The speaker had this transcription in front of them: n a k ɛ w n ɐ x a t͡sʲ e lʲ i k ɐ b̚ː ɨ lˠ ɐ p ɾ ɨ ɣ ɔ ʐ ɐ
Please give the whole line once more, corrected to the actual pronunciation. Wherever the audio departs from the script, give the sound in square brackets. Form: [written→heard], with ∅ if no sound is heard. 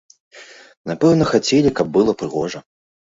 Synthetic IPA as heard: n a [k→p] ɛ w n ɐ x a t͡sʲ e lʲ i k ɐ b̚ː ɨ lˠ ɐ p ɾ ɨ ɣ ɔ ʐ ɐ